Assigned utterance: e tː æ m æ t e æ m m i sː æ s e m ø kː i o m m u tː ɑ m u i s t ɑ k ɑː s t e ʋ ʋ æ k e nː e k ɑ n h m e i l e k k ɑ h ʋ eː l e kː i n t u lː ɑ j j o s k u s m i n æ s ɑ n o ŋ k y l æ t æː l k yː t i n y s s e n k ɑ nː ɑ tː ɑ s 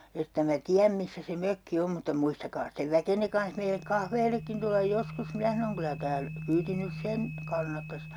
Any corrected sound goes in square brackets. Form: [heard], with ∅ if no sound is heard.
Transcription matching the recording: e tː æ m æ t [i] æ m m i sː æ s e m ø kː i o m m u tː ɑ m u i s t ɑ k ɑː s t e ʋ ʋ æ k e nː e k ɑ n h m e i l e k k ɑ h ʋ eː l e kː i n t u lː ɑ j j o s k u s m i n æ s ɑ n o ŋ k y l æ t æː l k yː t i n y s s e n k ɑ nː ɑ tː ɑ s